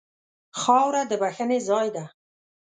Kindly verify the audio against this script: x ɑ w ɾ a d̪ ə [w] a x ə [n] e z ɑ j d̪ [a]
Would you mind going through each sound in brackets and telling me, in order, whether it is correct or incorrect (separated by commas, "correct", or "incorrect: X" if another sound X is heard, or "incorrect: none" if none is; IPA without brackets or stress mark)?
incorrect: b, correct, correct